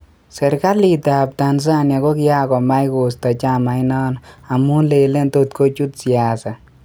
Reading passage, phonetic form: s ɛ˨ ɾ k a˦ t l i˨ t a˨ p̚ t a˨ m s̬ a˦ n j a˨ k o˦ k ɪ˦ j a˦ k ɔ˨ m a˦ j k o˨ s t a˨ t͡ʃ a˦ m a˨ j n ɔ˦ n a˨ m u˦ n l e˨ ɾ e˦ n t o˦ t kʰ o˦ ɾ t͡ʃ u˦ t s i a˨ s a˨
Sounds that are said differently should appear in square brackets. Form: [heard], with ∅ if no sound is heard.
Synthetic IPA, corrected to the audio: s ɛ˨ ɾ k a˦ [∅] l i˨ t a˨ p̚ t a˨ [n] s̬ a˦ n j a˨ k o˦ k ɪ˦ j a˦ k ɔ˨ m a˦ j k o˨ s t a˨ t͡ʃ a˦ m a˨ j n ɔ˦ n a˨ m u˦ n l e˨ [l] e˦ n t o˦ t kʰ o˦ [∅] t͡ʃ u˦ t s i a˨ s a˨

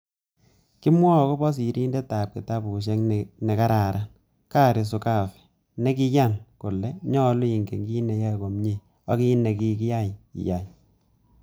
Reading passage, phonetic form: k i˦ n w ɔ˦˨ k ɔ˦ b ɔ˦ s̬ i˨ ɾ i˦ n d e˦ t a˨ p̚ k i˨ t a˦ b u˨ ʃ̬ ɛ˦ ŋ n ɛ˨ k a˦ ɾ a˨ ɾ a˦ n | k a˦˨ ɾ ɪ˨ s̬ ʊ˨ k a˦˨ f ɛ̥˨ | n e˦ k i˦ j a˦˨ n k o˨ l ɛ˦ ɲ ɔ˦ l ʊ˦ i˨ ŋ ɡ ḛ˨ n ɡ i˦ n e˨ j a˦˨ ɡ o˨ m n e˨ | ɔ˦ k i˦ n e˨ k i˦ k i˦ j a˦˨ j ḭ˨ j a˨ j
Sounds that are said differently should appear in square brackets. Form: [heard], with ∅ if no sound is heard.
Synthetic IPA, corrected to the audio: k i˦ [m] w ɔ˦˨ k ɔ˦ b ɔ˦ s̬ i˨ ɾ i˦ n d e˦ t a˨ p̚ k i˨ t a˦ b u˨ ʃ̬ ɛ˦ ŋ n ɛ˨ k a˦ ɾ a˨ ɾ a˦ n | k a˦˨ ɾ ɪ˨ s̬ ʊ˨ k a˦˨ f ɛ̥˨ | n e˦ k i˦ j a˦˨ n k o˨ l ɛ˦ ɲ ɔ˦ l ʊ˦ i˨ ŋ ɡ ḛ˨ [ŋ] ɡ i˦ n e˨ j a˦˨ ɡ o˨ m [ɲ] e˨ | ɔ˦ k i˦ n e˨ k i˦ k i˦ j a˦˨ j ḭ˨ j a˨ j

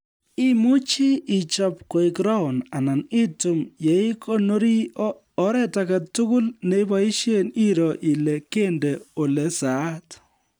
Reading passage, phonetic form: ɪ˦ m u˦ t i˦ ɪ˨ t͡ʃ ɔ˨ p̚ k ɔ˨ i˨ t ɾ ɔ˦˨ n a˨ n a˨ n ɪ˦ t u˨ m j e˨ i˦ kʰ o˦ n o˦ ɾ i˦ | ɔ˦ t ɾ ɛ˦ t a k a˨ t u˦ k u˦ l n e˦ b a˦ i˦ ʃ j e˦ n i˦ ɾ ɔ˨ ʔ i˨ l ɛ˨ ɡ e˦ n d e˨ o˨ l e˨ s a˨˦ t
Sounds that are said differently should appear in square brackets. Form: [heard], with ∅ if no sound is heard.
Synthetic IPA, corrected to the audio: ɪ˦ m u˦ [t͡ʃ] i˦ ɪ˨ t͡ʃ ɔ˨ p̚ k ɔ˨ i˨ [k] ɾ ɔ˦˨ n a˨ n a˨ n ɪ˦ t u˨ m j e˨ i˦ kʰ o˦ n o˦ ɾ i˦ | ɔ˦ [∅] ɾ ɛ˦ t a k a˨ t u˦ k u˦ l n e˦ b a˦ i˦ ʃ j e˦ n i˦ ɾ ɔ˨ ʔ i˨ l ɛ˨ [k] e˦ n d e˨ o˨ l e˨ s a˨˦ t

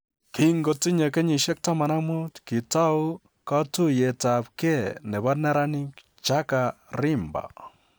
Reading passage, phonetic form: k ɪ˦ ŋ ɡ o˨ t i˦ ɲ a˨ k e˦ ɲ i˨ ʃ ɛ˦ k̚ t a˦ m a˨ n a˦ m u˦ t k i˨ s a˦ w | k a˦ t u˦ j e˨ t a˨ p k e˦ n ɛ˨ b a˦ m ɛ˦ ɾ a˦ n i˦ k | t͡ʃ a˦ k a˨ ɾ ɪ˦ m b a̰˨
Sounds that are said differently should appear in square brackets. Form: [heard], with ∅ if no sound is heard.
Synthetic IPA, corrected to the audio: k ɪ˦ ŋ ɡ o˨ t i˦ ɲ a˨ k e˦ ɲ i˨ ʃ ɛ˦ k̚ t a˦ m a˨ n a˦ m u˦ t k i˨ [t] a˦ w | k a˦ t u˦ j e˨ t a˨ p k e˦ n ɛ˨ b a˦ [n] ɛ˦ ɾ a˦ n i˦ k | t͡ʃ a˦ k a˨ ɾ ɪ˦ m b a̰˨

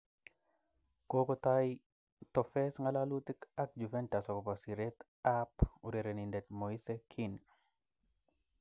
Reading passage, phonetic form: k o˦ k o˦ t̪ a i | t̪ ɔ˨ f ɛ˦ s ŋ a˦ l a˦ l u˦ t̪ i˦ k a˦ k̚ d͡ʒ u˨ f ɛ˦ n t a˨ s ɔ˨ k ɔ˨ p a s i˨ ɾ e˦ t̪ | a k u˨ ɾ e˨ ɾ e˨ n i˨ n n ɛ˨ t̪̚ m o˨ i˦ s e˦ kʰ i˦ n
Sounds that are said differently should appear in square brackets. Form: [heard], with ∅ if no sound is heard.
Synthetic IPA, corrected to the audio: k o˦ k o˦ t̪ a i | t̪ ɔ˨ f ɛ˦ s ŋ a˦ l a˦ l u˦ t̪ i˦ k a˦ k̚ d͡ʒ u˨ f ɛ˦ n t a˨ s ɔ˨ k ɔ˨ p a s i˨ ɾ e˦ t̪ | a [p] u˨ ɾ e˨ ɾ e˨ n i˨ n [d] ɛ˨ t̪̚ m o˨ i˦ s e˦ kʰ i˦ n

